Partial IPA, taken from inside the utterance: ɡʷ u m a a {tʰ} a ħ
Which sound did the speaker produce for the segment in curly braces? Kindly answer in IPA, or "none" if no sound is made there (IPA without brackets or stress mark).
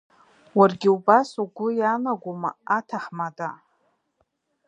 tʰ